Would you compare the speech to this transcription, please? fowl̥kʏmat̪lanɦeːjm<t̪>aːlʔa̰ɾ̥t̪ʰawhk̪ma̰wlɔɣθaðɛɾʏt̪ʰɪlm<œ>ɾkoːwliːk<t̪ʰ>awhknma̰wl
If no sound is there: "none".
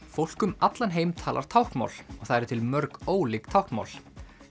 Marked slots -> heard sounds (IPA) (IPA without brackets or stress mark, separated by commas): t̪ʰ, œ, t̪ʰ